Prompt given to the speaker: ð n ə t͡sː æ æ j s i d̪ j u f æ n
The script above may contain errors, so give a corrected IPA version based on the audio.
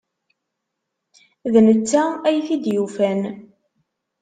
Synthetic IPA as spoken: ð n ə t͡sː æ æ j θ i d̪ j u f æ n